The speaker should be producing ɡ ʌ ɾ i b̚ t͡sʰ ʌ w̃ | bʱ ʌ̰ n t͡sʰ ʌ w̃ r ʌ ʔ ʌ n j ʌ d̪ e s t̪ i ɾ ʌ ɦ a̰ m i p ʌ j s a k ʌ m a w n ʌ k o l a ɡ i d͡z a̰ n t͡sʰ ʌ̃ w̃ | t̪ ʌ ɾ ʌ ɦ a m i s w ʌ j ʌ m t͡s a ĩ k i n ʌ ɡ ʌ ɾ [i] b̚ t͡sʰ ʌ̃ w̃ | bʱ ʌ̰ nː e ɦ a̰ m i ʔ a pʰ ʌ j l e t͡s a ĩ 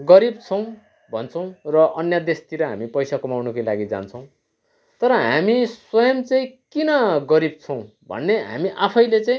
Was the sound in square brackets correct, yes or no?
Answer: yes